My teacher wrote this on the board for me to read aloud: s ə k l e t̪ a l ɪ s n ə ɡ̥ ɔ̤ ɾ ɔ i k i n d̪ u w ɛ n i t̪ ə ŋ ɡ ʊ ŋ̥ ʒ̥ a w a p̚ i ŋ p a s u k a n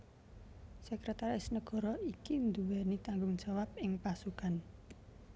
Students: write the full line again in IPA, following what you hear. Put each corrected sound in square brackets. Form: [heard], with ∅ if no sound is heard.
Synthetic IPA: s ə k [ɾ] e t̪ a [ɾ] ɪ s n ə ɡ̥ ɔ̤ ɾ ɔ i k i n d̪ u w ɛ n i t̪ [a] ŋ ɡ ʊ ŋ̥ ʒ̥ a w a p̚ [ɪ] ŋ p a s u k a n